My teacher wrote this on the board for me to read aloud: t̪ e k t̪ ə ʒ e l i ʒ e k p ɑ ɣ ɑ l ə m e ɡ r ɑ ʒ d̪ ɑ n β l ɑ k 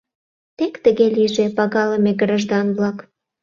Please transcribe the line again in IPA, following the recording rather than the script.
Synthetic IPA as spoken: t̪ e k t̪ ə ɣ e l i ʒ e p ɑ ɣ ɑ l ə m e ɡ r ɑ ʒ d̪ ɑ n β l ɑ k